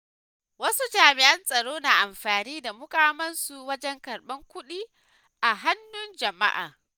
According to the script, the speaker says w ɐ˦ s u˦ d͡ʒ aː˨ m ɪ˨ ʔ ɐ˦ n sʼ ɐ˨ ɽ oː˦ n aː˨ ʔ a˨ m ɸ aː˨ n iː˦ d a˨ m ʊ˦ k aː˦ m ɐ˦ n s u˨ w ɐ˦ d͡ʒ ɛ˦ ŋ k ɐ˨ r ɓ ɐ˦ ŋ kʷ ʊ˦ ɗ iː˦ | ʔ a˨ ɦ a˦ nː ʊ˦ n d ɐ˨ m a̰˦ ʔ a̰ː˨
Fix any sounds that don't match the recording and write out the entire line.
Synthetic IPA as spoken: w ɐ˦ s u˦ d͡ʒ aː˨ m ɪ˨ ʔ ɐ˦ n sʼ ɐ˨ ɽ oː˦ n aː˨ ʔ a˨ m ɸ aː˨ n iː˦ d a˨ m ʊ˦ k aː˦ m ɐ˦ n s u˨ w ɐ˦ d͡ʒ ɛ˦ ŋ k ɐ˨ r ɓ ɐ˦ ŋ kʷ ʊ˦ ɗ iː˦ | ʔ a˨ ɦ a˦ nː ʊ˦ n d͡ʒ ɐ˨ m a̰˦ ʔ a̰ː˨